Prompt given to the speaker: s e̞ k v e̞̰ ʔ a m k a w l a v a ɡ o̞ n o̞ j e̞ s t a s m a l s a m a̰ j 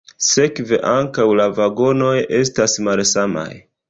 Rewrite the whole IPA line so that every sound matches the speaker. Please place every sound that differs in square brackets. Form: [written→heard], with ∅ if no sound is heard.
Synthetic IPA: s e̞ k v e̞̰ ʔ a [m→ŋ] k a w l a v a ɡ o̞ n o̞ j e̞ s t a s m a l s a m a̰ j